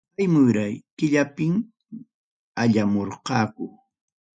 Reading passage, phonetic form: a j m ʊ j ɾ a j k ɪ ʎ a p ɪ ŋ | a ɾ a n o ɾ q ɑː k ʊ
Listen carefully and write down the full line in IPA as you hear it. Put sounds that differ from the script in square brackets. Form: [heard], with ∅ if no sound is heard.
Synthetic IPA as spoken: a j m ʊ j ɾ a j k ɪ ʎ a p ɪ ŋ | a [ʎ] a [m] o ɾ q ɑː k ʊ